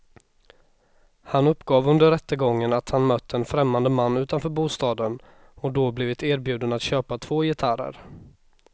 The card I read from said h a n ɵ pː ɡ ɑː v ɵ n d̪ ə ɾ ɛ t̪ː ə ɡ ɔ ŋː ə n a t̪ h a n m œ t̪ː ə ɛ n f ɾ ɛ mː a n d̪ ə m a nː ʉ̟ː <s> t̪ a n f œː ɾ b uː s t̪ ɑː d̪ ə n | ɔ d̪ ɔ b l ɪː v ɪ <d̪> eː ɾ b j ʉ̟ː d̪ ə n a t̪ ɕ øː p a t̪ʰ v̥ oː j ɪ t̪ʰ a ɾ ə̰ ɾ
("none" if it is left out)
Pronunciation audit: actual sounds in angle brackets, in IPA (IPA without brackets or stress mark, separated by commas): none, t̪